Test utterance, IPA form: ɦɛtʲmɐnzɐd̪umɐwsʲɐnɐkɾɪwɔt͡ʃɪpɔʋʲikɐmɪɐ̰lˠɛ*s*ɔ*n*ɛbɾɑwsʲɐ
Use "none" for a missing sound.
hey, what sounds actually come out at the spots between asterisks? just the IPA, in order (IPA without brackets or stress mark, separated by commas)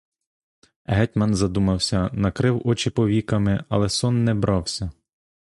s, nː